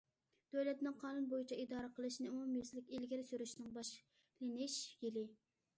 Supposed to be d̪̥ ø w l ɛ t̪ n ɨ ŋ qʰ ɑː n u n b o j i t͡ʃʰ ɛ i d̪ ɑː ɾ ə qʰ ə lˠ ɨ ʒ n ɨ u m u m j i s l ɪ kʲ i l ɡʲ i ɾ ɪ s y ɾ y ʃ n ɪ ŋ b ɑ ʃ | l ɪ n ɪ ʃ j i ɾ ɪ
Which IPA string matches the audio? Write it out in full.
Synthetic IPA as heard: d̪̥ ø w l ɛ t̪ n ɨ ŋ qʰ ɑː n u n b o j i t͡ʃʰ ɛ i d̪ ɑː ɾ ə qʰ ə lˠ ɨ ʃ n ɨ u m u m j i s l ɪ kʲ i l ɡʲ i ɾ ɪ s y ɾ y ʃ n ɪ ŋ b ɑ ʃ | l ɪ n ɪ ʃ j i l ɪ